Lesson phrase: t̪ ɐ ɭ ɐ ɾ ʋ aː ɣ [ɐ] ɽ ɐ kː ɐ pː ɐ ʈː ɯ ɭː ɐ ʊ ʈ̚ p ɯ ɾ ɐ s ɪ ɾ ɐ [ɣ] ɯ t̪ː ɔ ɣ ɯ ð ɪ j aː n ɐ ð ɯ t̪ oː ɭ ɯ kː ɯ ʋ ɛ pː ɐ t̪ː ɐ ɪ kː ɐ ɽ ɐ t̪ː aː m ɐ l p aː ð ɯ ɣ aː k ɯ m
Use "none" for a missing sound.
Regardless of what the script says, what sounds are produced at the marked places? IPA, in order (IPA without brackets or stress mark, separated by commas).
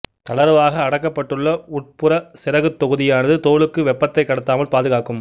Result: ɐː, ɣ